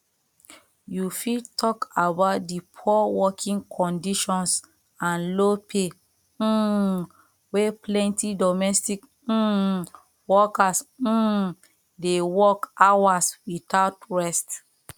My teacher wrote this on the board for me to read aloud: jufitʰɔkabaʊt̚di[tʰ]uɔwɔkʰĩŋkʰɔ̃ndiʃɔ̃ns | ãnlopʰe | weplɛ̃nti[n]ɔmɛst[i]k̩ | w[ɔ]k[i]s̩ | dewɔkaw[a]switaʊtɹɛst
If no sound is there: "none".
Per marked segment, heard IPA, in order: pʰ, d, i, ɔ, a, a

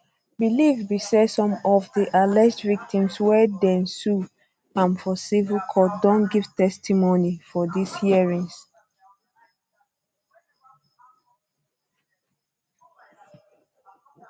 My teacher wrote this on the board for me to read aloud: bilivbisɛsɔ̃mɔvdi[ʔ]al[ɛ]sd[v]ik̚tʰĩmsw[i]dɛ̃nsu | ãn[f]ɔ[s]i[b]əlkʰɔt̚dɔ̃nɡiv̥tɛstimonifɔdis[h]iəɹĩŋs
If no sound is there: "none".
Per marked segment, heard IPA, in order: ʔ, ɛ, v, ɛ, f, s, v, h

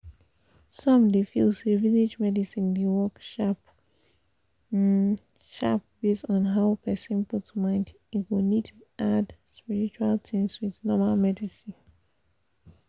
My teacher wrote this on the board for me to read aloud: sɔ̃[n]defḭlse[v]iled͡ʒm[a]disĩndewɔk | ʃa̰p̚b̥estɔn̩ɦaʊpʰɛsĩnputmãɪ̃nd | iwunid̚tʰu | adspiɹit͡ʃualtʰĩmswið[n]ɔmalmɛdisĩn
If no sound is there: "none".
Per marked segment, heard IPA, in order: m, v, ɛ, n

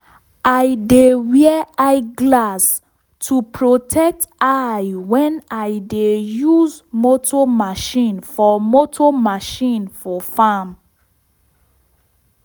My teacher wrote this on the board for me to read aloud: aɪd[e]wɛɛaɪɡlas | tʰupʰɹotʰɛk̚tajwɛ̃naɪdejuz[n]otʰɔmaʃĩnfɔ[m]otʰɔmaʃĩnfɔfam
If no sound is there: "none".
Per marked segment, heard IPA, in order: e, m, m

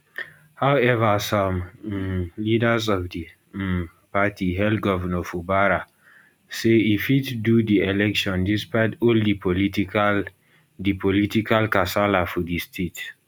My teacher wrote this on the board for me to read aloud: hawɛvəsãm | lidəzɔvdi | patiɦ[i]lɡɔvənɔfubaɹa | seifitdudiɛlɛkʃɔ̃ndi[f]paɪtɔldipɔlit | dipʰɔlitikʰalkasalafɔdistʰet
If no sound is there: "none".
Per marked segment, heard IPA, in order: ɛ, s

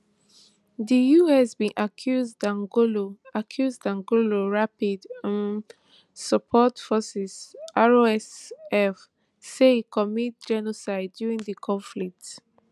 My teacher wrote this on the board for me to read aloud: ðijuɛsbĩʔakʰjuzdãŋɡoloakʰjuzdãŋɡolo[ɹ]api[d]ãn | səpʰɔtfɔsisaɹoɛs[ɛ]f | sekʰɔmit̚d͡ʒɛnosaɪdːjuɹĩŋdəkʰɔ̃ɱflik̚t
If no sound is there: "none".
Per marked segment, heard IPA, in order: ɹ, d, ɛ

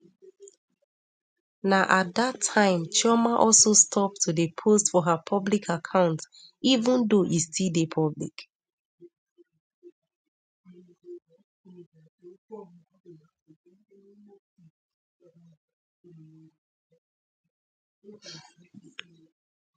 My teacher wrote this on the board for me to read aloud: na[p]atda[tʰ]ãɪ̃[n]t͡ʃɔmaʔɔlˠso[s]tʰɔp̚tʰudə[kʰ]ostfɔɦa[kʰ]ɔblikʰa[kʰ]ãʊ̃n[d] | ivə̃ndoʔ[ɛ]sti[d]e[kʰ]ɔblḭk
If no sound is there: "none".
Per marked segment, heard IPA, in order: ʔ, tʰ, m, s, pʰ, pʰ, kʰ, t, i, d, pʰ

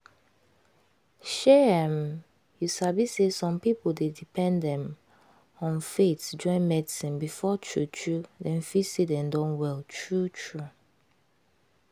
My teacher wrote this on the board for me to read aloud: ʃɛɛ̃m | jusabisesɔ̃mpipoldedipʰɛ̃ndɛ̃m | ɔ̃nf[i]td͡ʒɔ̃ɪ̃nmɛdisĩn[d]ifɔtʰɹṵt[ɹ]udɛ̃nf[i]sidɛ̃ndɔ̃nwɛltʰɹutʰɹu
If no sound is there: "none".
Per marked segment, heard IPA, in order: e, b, ɹ, i

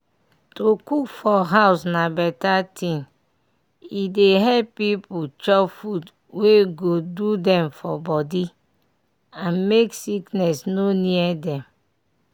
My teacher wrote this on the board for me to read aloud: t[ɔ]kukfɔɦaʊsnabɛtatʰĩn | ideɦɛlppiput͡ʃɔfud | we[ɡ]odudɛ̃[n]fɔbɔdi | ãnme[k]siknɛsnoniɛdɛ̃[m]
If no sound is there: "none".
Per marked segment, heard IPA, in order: o, ɡ, m, k, m

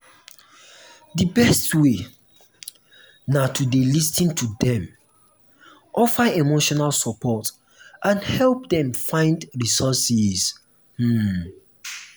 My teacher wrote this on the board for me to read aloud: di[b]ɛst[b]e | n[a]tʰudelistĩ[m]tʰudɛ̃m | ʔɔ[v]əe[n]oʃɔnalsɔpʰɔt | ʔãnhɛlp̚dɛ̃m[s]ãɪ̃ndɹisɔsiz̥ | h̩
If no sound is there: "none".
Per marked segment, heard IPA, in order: b, w, a, n, f, m, f

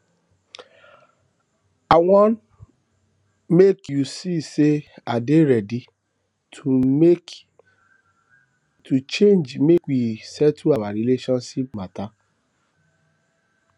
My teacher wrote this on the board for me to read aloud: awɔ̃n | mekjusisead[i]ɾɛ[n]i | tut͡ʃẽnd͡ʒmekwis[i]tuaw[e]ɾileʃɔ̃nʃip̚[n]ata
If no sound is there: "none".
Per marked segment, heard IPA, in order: e, d, ɛ, a, m

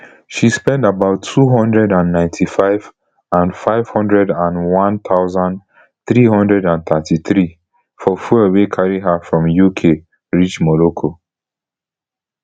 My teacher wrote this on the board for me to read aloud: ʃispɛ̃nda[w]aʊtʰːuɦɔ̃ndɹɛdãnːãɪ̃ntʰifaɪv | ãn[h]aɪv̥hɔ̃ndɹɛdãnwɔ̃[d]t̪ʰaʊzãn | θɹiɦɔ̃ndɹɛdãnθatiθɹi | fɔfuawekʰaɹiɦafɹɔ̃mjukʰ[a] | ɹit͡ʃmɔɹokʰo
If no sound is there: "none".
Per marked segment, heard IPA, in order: b, f, n, e

